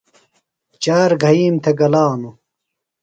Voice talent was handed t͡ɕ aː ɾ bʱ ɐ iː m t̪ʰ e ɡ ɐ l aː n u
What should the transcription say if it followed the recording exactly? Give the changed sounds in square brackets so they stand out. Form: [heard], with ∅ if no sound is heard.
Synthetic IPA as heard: t͡ɕ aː ɾ [ɡʱ] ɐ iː m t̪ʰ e ɡ ɐ l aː n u